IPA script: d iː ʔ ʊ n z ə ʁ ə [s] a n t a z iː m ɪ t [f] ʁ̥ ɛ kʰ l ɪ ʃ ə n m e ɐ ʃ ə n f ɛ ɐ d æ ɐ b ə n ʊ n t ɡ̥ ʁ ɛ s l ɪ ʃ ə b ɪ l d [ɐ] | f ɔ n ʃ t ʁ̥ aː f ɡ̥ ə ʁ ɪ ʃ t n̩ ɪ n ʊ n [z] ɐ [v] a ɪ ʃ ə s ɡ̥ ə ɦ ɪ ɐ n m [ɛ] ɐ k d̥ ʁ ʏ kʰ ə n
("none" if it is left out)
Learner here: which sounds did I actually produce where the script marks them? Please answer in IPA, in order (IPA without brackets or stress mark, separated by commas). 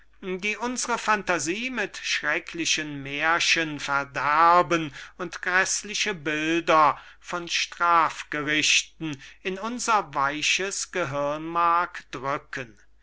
f, ʃ, ɐ, z, v, a